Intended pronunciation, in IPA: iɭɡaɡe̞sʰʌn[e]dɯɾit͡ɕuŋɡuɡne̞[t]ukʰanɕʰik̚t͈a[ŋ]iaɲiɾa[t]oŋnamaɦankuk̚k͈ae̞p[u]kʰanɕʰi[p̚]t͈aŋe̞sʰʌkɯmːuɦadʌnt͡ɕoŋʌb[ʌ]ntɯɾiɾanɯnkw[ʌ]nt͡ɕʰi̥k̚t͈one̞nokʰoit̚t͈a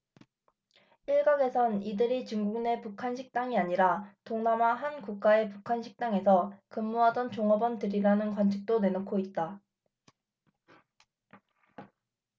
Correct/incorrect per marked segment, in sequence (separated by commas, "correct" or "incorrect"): incorrect, incorrect, correct, correct, correct, incorrect, correct, incorrect